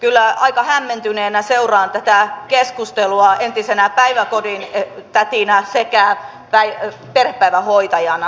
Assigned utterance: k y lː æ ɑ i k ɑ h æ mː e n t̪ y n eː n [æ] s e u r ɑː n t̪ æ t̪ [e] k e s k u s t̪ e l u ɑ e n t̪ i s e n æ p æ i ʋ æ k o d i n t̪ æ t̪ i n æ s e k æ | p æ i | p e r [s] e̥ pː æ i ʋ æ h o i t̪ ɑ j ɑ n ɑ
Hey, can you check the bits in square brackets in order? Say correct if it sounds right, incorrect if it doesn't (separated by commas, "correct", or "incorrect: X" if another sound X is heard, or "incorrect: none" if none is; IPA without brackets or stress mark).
correct, incorrect: æ, incorrect: h